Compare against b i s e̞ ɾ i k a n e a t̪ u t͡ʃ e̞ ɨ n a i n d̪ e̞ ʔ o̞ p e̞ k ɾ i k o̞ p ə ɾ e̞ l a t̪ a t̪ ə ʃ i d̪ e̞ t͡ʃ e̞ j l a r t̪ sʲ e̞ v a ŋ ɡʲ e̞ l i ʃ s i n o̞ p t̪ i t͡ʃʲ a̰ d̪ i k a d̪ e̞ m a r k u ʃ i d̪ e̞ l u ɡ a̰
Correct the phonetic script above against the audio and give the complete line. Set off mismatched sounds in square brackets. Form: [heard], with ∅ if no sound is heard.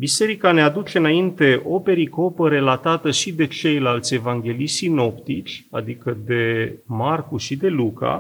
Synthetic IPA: b i s e̞ ɾ i k a n e a [d̪] u t͡ʃ e̞ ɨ n a i n [t̪] e̞ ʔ o̞ p e̞ [∅] ɾ i k o̞ p ə ɾ e̞ l a t̪ a t̪ ə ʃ i d̪ e̞ t͡ʃ e̞ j l a [l] t̪ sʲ e̞ v a ŋ ɡʲ e̞ l i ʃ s i n o̞ p t̪ i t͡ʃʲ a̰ d̪ i k [ə] d̪ e̞ m a r k u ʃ i d̪ e̞ l u [k] a̰